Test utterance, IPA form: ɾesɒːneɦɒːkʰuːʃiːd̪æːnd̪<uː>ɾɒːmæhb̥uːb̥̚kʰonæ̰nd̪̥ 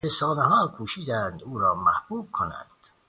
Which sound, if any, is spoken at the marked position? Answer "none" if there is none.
uː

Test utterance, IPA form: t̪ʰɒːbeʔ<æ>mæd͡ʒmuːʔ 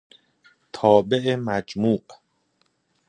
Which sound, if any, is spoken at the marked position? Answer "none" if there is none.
e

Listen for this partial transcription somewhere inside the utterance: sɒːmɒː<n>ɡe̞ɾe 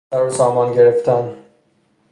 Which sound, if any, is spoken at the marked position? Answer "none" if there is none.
n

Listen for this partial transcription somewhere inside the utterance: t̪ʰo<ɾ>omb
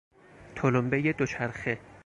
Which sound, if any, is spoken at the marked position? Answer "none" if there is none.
l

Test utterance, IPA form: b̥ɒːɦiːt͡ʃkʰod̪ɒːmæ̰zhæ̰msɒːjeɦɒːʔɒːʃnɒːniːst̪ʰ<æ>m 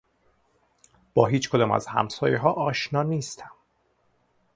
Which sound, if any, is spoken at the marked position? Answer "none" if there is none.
æ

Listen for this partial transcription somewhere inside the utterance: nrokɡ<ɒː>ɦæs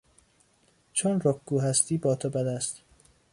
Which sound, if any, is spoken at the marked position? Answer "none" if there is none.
uː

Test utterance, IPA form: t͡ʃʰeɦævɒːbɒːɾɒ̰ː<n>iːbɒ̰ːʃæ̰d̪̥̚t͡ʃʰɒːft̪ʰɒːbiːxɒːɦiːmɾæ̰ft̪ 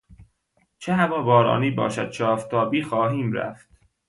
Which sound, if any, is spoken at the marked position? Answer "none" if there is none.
n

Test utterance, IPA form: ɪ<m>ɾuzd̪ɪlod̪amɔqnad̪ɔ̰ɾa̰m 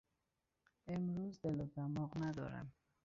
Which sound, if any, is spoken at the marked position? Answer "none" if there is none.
m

